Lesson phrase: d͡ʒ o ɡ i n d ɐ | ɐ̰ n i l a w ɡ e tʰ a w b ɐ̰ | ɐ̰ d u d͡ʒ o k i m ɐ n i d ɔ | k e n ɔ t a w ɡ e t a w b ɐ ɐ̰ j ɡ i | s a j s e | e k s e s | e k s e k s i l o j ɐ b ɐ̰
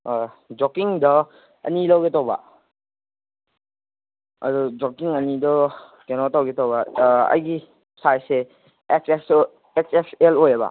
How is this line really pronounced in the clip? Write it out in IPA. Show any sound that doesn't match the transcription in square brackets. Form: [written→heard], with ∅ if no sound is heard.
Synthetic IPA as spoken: d͡ʒ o [ɡ→k] i [n→ŋ] d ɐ | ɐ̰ n i l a w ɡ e [tʰ→t] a w b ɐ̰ | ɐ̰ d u d͡ʒ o k i [m→ŋ] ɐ n i d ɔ | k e n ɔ t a w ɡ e t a w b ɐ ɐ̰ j ɡ i | s a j s e | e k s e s | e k s e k s [i→e] l o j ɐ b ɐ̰